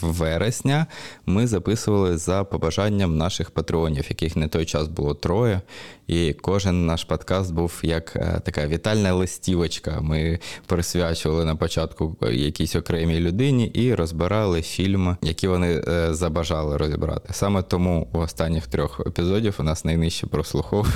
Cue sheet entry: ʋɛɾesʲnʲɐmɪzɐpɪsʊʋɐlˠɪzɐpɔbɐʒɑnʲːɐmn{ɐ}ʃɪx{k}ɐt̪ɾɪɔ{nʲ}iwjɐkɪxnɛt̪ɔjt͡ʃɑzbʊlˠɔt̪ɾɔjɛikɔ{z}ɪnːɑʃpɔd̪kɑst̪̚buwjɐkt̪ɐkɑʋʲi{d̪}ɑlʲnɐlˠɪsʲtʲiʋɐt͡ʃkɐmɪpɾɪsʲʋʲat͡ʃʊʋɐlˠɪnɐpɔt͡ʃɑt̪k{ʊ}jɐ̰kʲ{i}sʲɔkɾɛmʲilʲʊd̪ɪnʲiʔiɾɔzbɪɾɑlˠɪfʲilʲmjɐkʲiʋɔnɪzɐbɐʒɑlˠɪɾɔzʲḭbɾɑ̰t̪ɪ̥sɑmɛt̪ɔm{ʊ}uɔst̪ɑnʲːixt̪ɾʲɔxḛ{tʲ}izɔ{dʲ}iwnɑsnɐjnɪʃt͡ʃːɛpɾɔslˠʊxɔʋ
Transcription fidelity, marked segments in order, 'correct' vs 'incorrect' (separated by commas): incorrect, incorrect, correct, incorrect, incorrect, correct, correct, incorrect, incorrect, correct